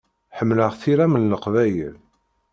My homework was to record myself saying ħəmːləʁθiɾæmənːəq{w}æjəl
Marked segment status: incorrect: v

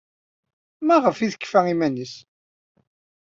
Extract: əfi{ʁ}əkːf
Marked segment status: incorrect: ð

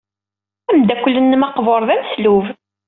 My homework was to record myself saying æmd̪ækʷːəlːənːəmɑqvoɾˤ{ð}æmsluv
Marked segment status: correct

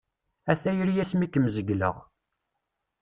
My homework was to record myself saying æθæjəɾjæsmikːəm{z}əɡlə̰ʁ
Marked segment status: correct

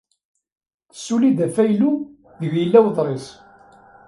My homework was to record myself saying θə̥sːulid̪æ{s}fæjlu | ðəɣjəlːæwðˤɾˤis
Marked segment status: incorrect: none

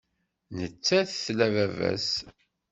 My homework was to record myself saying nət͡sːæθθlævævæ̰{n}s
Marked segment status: incorrect: none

